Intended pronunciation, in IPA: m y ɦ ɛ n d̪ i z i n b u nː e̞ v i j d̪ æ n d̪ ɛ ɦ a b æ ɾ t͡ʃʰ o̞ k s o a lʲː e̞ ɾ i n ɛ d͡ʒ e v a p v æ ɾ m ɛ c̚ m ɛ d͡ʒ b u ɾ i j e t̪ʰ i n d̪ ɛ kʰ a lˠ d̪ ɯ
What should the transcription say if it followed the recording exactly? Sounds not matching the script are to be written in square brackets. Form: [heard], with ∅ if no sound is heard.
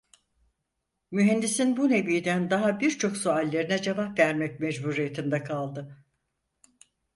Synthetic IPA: m y ɦ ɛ n d̪ i [s] i n b u [n] e̞ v i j d̪ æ n d̪ [a] ɦ a b [i] ɾ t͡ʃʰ o̞ k s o a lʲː e̞ ɾ i n ɛ d͡ʒ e v a p v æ ɾ m ɛ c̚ m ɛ d͡ʒ b u ɾ i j e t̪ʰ i n d̪ ɛ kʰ a lˠ d̪ ɯ